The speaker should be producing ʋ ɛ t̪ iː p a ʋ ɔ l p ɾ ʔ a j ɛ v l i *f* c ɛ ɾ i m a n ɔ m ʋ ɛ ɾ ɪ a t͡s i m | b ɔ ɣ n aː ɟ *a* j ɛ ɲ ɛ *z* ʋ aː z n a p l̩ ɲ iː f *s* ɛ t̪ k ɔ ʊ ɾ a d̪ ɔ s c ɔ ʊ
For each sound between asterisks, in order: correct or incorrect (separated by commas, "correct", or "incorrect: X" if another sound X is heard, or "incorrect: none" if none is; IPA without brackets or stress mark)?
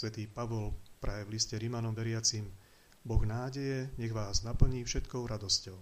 incorrect: s, incorrect: ɛ, incorrect: ɣ, incorrect: ʃ